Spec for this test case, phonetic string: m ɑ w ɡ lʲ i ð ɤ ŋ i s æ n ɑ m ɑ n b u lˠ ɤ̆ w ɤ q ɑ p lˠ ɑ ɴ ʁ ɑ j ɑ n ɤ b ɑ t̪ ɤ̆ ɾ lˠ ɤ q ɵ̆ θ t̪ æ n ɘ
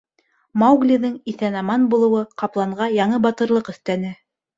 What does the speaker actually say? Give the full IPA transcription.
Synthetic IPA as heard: m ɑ w ɡ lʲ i ð ɤ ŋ i θ æ n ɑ m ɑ n b u lˠ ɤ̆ w ɤ q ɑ p lˠ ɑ ɴ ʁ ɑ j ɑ ɴ ɤ b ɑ t̪ ɤ̆ ɾ lˠ ɤ q ɵ̆ θ t̪ æ n ɘ